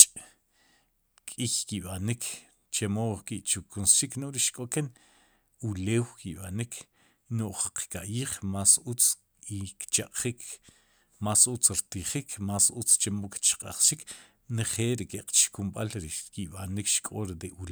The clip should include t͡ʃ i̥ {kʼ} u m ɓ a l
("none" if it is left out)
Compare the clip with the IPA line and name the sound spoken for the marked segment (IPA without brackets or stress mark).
k